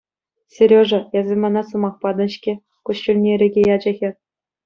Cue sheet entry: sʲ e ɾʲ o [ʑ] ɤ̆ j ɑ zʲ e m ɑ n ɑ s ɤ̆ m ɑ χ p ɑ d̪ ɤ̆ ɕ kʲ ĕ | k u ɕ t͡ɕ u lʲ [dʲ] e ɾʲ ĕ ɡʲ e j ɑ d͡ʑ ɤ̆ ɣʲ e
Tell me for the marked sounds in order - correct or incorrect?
incorrect: ʐ, incorrect: nʲ

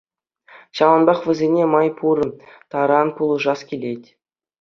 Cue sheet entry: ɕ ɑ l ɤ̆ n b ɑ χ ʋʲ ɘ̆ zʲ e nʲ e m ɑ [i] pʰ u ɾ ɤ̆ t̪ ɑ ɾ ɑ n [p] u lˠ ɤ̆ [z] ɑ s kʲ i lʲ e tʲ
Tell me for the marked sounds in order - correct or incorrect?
incorrect: j, correct, incorrect: ʐ

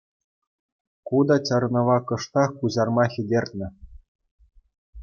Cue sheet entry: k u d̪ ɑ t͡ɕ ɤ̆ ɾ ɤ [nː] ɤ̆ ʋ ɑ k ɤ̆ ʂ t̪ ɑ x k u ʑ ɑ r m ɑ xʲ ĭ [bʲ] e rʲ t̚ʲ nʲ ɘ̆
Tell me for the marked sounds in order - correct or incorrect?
incorrect: n, incorrect: dʲ

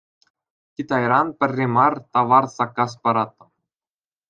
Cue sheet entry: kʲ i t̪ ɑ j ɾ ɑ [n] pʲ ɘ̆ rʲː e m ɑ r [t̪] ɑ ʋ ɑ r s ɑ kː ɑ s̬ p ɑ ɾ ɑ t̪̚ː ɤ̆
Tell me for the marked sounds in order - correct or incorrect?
correct, correct

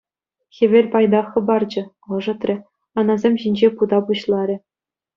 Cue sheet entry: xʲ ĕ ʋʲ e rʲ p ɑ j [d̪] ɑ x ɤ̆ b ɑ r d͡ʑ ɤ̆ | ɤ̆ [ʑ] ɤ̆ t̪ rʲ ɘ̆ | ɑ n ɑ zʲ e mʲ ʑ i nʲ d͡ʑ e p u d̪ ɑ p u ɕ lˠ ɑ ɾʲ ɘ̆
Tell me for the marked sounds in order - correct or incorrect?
correct, incorrect: ʐ

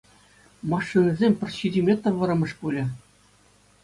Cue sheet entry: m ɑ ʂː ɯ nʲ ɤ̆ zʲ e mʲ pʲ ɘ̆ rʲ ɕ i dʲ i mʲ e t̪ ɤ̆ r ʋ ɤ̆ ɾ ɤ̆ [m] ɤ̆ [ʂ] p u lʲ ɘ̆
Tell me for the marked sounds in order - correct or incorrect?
correct, correct

